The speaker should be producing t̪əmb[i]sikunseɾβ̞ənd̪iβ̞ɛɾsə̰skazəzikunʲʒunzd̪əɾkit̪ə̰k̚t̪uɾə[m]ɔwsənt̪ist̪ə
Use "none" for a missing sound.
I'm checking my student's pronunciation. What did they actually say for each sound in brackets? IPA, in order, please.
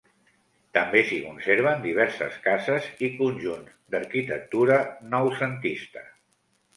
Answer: e, n

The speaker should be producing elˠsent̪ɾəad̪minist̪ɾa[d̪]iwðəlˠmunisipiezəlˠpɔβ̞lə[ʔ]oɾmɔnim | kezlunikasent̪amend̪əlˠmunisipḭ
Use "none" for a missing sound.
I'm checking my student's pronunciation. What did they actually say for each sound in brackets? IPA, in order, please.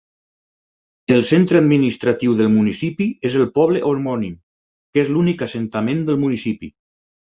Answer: t̪, ʔ

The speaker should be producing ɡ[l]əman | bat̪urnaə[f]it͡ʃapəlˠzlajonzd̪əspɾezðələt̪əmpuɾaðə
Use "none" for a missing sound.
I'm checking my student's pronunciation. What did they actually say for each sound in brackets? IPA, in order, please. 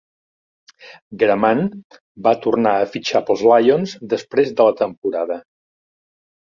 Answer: ɾ, f

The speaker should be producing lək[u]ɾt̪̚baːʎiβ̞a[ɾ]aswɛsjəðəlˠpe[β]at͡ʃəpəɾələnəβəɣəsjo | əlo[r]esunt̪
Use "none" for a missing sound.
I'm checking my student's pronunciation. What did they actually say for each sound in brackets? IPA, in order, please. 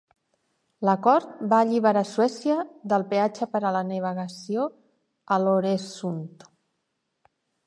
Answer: ɔ, ɾ, none, ɾ

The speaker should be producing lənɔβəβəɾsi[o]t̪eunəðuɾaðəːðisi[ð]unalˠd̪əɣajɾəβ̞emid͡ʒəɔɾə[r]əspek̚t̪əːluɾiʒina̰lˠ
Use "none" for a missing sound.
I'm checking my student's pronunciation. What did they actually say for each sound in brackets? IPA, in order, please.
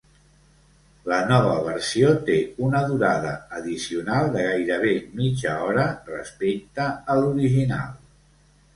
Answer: o, none, r

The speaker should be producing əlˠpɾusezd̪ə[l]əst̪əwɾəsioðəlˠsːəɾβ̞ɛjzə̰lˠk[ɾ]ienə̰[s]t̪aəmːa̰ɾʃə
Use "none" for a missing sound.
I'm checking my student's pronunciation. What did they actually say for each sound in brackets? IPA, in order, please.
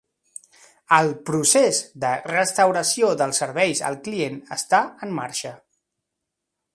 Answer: r, l, s

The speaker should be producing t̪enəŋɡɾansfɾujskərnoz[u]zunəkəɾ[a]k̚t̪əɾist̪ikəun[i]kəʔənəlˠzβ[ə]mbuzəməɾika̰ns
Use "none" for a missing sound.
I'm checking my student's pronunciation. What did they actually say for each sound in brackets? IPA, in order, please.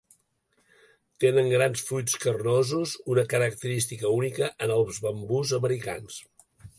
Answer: u, ə, i, ə

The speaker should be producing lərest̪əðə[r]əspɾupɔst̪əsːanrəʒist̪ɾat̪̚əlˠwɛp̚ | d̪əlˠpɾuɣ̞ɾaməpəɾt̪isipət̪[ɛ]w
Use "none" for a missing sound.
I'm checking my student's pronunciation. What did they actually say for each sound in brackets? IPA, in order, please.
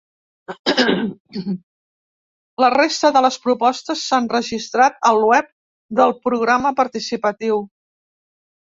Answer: l, i

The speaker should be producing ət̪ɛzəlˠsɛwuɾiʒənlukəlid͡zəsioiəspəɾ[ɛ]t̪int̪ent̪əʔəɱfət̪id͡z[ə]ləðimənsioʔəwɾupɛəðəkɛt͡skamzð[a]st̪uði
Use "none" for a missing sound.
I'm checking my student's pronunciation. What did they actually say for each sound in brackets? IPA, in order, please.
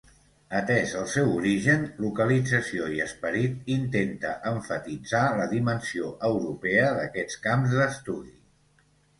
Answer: i, a, ə

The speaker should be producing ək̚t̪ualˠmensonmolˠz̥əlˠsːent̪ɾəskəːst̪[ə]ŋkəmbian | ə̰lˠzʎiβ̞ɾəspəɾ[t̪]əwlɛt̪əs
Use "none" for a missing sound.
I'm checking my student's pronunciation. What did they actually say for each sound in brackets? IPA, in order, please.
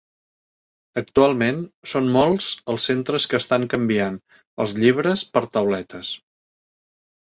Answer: a, t̪

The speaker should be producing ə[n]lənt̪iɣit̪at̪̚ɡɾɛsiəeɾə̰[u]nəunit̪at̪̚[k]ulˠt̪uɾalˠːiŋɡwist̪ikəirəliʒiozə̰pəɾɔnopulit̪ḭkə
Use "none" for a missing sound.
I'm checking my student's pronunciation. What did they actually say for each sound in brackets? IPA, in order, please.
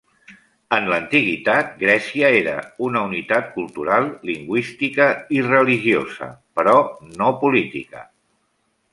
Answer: n, u, k

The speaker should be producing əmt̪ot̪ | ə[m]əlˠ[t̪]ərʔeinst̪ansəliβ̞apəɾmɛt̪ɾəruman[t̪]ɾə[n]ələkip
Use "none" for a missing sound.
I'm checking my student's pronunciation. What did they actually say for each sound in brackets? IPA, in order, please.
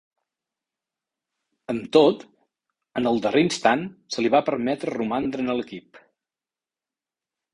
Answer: n, d̪, d̪, n

